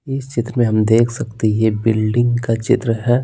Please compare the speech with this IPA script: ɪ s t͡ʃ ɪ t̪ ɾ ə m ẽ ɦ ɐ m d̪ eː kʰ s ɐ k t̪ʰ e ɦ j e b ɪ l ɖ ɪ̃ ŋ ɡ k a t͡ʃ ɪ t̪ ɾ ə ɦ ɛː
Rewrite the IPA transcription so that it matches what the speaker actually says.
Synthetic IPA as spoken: ɪ s t͡ʃ ɪ t̪ ɾ ə m ẽ ɦ ɐ m d̪ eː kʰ s ɐ k t̪ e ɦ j e b ɪ l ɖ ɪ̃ ŋ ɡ k a t͡ʃ ɪ t̪ ɾ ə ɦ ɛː